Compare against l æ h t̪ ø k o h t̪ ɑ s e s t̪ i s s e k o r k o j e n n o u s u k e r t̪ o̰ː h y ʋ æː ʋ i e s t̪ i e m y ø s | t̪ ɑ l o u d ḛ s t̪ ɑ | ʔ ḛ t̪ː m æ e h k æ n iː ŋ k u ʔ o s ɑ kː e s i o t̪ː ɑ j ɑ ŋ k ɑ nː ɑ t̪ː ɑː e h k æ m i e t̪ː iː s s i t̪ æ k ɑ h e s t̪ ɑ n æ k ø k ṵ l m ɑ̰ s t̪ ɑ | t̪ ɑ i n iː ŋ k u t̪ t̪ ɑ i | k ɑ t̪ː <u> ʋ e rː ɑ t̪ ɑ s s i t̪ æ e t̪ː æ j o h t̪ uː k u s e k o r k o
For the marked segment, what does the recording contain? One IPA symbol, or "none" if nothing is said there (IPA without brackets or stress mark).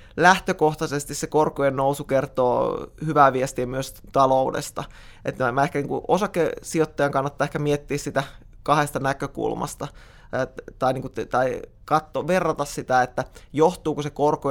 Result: o